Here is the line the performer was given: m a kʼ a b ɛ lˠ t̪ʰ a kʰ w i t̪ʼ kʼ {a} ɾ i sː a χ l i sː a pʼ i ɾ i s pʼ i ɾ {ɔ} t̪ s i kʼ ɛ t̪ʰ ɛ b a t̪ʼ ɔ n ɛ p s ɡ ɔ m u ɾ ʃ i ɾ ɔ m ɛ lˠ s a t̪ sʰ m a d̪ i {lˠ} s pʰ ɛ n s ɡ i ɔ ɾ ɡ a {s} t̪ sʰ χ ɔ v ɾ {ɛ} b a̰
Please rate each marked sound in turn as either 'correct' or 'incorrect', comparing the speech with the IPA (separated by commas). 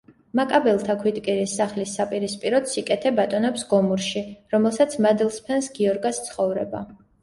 incorrect, correct, correct, correct, correct